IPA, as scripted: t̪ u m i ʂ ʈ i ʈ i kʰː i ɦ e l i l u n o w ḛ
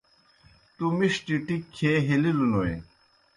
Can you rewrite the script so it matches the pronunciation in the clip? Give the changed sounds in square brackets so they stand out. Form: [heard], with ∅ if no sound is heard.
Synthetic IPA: t̪ u m i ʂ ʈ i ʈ i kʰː [e] ɦ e l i l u n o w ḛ

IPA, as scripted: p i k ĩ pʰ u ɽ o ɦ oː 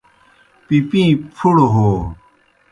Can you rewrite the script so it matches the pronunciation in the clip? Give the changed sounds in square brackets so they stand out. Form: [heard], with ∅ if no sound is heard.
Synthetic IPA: p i [p] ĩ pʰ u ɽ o ɦ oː

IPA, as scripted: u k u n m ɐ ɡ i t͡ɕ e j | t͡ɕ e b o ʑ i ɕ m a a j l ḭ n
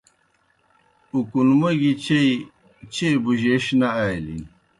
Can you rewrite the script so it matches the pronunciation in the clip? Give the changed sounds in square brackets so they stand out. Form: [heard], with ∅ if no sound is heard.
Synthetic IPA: u k u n m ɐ ɡ i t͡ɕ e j | t͡ɕ e b [u] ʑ [e] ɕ [n] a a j l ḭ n

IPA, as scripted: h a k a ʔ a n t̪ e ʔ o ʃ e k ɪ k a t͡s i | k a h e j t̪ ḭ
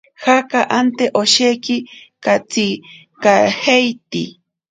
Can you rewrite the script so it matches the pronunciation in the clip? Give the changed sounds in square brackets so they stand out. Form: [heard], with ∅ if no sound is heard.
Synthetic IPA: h a k a ʔ a n t̪ e ʔ o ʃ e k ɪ k a t͡s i | k a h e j t̪ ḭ

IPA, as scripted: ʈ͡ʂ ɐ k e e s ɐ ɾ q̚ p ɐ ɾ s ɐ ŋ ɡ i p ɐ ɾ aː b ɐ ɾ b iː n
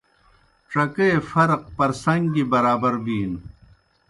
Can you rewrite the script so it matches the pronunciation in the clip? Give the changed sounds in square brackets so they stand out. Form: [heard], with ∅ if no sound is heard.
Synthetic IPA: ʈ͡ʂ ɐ k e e [f] ɐ ɾ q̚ p ɐ ɾ s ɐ ŋ ɡ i [b] ɐ ɾ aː b ɐ ɾ b iː n

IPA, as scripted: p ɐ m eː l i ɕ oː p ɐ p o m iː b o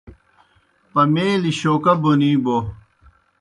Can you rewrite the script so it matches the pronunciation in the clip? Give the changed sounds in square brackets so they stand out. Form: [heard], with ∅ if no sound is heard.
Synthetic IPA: p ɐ m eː l i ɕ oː [k] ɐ [b] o [n] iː b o

